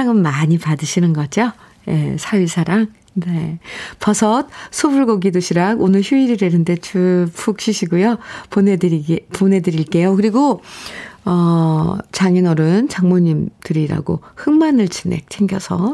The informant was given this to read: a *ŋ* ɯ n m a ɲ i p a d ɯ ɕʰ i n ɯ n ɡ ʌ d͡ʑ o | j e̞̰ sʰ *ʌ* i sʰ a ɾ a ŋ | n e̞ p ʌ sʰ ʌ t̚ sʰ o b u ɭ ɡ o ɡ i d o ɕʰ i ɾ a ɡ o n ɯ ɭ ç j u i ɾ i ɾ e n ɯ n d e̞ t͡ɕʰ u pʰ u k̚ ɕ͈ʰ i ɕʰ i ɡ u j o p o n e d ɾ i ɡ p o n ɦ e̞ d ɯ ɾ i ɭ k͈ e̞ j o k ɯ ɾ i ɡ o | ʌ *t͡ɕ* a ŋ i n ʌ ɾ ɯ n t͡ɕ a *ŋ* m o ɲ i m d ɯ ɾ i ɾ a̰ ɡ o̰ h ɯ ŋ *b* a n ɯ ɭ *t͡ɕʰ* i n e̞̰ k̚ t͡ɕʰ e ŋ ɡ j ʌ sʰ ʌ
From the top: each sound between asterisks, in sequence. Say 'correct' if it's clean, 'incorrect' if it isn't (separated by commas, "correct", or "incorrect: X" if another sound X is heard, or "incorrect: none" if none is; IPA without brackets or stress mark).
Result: correct, incorrect: a, correct, correct, incorrect: m, incorrect: t͡ɕ